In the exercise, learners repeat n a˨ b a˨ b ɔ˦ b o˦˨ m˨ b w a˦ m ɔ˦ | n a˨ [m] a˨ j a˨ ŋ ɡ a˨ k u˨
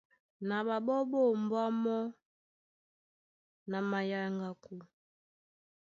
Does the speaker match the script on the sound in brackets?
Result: yes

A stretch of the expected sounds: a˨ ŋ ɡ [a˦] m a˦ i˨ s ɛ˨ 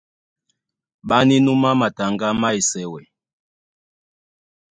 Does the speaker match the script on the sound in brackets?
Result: yes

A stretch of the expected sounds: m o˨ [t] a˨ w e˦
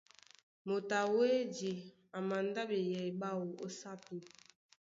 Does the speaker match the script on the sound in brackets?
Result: yes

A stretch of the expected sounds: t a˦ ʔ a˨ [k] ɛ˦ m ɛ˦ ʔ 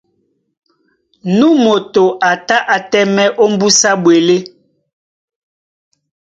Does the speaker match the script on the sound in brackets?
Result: no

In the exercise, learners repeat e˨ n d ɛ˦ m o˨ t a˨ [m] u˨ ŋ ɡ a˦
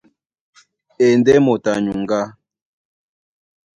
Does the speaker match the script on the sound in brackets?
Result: no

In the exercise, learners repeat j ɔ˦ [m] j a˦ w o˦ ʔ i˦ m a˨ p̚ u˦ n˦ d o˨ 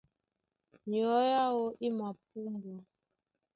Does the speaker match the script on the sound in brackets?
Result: no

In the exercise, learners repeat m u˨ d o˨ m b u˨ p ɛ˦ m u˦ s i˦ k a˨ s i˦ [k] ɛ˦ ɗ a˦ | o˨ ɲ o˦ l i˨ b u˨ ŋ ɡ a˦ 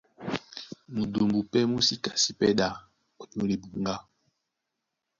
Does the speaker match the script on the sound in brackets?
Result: no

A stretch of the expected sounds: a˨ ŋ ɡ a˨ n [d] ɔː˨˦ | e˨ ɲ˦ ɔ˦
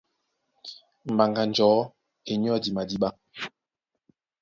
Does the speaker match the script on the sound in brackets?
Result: no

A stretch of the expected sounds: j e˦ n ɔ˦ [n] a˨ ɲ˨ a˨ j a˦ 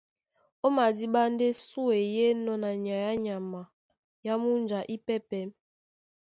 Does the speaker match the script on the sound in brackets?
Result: yes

